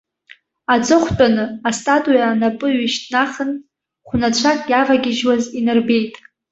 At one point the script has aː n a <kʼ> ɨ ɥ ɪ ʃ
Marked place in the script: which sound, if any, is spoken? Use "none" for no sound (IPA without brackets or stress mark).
pʼ